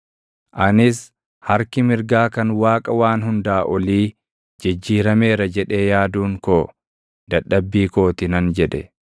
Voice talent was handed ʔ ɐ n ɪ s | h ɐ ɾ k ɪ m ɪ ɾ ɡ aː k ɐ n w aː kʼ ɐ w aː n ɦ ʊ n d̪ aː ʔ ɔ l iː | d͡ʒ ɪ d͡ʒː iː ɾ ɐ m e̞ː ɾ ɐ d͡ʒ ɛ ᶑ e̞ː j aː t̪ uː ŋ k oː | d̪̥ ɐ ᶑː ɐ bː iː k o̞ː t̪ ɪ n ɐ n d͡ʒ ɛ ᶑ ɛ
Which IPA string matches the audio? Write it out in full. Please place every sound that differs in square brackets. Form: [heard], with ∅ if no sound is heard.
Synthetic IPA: ʔ ɐ n ɪ s | h ɐ ɾ k ɪ m ɪ ɾ ɡ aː k ɐ n w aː kʼ ɐ w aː n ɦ ʊ n d̪ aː ʔ ɔ l iː | d͡ʒ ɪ d͡ʒː iː ɾ ɐ m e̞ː ɾ ɐ d͡ʒ ɛ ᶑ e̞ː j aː [d̪] uː ŋ k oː | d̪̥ ɐ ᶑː ɐ bː iː k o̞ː t̪ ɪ n ɐ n d͡ʒ ɛ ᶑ ɛ